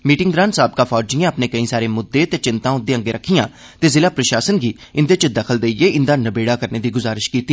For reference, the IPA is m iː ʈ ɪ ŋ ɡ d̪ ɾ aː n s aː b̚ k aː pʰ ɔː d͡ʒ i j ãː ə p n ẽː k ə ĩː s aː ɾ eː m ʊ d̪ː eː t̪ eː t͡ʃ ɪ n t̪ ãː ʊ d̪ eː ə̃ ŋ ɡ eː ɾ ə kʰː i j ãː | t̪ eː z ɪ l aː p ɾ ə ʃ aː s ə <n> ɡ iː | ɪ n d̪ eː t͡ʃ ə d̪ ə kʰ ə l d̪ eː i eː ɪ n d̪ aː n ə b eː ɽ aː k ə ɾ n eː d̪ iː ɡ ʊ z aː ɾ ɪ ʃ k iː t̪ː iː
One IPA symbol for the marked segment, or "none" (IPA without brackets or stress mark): n